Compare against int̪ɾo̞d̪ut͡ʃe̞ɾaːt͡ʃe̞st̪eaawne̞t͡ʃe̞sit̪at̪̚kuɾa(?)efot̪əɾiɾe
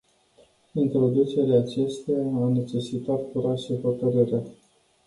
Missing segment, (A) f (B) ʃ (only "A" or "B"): B